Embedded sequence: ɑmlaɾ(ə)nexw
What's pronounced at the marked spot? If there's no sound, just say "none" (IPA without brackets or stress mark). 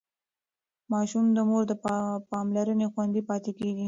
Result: ə